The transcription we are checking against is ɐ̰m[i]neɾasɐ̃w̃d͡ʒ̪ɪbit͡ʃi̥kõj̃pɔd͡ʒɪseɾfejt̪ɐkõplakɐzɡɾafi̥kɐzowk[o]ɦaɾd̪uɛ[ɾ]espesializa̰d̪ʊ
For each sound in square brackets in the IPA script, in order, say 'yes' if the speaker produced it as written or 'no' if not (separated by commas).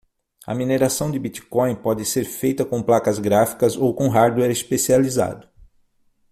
yes, no, yes